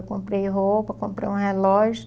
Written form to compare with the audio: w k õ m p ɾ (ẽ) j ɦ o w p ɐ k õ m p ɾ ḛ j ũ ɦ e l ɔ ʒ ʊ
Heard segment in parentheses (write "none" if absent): e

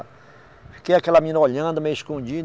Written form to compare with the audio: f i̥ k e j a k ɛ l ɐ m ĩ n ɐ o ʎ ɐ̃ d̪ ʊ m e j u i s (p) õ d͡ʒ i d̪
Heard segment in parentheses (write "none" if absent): k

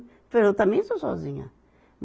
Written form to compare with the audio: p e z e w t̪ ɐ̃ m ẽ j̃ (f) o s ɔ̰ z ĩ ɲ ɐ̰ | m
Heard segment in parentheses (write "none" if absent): s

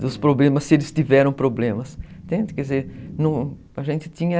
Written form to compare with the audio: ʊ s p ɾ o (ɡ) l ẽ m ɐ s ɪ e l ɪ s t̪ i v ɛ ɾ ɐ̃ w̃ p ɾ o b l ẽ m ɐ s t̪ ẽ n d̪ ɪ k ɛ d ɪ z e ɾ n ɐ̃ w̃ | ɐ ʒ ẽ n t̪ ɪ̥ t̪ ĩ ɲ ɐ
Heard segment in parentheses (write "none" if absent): b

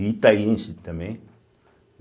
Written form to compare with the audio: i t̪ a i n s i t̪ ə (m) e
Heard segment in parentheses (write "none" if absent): m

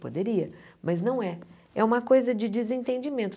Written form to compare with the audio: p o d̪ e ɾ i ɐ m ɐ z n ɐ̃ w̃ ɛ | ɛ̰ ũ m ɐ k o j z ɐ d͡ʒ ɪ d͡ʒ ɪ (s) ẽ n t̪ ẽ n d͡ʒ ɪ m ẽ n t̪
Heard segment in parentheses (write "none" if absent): z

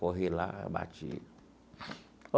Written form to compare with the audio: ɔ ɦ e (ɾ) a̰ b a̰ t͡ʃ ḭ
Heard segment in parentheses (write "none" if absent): l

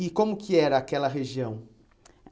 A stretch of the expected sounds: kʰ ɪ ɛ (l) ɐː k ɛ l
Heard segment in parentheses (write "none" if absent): ɾ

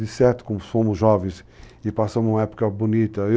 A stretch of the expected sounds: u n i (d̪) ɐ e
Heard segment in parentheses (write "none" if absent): t̪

